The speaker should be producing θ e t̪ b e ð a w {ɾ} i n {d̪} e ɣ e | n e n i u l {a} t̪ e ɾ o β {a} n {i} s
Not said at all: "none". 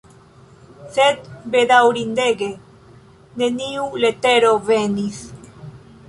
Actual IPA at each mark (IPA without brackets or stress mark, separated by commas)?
ɾ, d̪, e, e, i